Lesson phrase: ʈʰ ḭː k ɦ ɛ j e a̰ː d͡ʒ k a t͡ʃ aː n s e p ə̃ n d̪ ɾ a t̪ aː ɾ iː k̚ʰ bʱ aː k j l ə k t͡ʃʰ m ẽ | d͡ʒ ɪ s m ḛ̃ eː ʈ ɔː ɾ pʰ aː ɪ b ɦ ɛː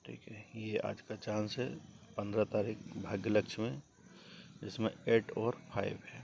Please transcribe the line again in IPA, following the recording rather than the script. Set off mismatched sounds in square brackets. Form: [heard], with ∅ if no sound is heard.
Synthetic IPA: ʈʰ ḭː k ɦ ɛ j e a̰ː d͡ʒ k a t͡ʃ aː n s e p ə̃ n d̪ ɾ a t̪ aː ɾ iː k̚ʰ bʱ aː [ɡ] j l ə k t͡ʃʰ m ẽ | d͡ʒ ɪ s m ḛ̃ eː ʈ ɔː ɾ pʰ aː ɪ b ɦ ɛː

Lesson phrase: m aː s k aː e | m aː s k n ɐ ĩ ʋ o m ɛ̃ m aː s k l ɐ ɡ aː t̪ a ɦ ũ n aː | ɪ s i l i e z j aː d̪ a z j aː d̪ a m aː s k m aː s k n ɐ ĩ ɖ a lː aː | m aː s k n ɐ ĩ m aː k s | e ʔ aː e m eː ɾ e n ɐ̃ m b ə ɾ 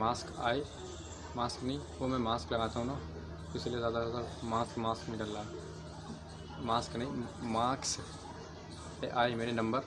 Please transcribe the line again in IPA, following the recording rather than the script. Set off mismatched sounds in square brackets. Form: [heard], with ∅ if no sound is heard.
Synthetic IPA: m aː s k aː e | m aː s k n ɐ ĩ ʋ o m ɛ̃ m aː s k l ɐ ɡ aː t̪ a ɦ ũ n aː | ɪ s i l i e z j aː d̪ a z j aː d̪ a m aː s k m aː s k n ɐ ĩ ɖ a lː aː | m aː s k n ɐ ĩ m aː k s | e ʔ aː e m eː ɾ e n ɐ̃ m b ə ɾ

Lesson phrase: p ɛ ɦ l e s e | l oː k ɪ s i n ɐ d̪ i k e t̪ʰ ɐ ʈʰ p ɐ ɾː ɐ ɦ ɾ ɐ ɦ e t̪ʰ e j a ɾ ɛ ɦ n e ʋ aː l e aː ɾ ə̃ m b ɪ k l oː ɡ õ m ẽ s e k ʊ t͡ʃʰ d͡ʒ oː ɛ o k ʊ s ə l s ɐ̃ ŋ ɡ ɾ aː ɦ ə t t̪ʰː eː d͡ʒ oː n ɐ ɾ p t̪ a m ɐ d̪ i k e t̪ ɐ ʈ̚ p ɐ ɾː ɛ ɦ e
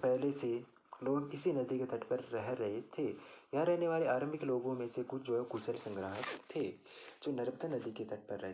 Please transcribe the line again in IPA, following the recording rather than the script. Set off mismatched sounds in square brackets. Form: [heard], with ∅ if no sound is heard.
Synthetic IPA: p ɛ ɦ l e s e | l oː [ɡ] ɪ s i n ɐ d̪ i k e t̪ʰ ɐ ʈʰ p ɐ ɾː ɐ ɦ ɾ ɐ ɦ e t̪ʰ e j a ɾ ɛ ɦ n e ʋ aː l e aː ɾ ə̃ m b ɪ k l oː ɡ õ m ẽ s e k ʊ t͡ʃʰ d͡ʒ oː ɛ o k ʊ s ə l s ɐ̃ ŋ ɡ ɾ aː ɦ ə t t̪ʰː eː d͡ʒ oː n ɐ ɾ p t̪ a [n] ɐ d̪ i k e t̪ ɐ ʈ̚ p ɐ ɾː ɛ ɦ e

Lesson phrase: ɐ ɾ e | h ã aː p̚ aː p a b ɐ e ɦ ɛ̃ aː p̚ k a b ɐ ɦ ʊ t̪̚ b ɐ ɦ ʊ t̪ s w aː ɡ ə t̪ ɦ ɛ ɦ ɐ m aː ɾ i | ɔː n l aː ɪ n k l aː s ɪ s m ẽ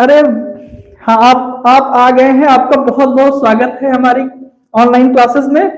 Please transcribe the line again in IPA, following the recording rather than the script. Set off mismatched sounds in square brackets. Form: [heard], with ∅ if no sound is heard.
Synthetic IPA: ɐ ɾ e | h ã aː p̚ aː p a [ɡ] ɐ e ɦ ɛ̃ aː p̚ k a b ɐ ɦ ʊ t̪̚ b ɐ ɦ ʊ t̪ s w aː ɡ ə t̪ ɦ ɛ ɦ ɐ m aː ɾ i | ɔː n l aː ɪ n k l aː s ɪ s m ẽ

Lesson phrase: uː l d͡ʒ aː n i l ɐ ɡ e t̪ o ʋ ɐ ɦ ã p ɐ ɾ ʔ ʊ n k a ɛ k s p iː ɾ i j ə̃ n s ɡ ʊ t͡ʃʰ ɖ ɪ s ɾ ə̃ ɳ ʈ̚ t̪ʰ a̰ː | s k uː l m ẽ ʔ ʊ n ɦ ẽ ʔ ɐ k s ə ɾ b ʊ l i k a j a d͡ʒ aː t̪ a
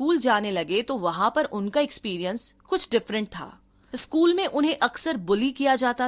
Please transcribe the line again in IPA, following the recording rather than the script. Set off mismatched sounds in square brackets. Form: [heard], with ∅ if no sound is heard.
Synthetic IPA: uː l d͡ʒ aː n [e] l ɐ ɡ e t̪ o ʋ ɐ ɦ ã p ɐ ɾ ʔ ʊ n k a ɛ k s p iː ɾ i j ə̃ n s [k] ʊ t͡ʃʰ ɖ ɪ [f] ɾ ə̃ ɳ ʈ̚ t̪ʰ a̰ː | s k uː l m ẽ ʔ ʊ n ɦ ẽ ʔ ɐ k s ə ɾ b ʊ l i k [i] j a d͡ʒ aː t̪ a

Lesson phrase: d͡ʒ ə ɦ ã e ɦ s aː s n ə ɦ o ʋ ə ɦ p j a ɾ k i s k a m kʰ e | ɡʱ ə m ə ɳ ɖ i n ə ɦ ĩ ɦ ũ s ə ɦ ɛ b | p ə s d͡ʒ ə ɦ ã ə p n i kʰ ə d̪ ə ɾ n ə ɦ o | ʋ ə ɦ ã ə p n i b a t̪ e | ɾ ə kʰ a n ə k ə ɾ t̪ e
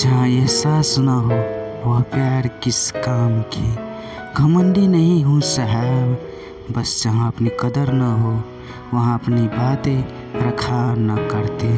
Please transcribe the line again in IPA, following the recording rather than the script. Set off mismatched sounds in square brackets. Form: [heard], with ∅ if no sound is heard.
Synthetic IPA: d͡ʒ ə ɦ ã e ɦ s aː s n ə ɦ o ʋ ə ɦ p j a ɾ k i s k a m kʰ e | ɡʱ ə m ə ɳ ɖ i n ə ɦ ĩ ɦ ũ s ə ɦ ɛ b | [b] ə s d͡ʒ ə ɦ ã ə p n i [k] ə d̪ ə ɾ n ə ɦ o | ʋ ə ɦ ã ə p n i b a t̪ e | ɾ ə kʰ a n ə k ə ɾ t̪ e

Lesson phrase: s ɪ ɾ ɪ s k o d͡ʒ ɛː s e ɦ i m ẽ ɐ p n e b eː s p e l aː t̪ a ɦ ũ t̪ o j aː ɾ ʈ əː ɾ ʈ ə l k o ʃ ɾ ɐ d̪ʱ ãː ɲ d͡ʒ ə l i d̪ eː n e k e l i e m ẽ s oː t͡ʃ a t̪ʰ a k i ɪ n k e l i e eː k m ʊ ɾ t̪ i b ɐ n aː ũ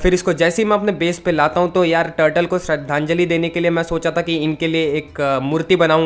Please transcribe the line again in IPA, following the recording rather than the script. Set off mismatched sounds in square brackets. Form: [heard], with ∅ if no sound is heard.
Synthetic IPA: [f] ɪ ɾ ɪ s k o d͡ʒ ɛː s e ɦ i m [ɛ̃] ɐ p n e b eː s p e l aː t̪ a ɦ ũ t̪ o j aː ɾ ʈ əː ɾ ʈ ə l k o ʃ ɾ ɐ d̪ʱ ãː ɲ d͡ʒ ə l i d̪ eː n e k e l i e m [ɛ̃] s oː t͡ʃ a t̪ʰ a k i ɪ n k e l i e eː k m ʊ ɾ t̪ i b ɐ n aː ũ

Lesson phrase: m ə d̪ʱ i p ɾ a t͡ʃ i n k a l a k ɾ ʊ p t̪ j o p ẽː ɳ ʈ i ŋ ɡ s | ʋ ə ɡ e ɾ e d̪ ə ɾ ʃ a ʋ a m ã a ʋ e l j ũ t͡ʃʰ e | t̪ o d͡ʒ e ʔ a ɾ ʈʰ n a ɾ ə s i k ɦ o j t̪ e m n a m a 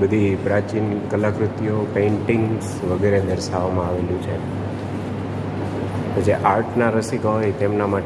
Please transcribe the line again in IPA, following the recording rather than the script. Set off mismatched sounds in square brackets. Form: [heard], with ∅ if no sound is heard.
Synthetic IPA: [b] ə d̪ʱ i p ɾ a t͡ʃ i n k [ə] l a k ɾ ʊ [∅] t̪ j o p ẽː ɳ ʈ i ŋ ɡ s | ʋ ə ɡ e ɾ e d̪ ə ɾ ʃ a ʋ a m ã a ʋ e l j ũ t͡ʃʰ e | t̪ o d͡ʒ e ʔ a ɾ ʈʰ n a ɾ ə s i k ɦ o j t̪ e m n a m a

